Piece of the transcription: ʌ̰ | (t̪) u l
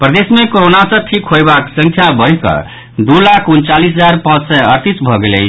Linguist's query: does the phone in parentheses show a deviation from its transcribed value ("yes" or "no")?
yes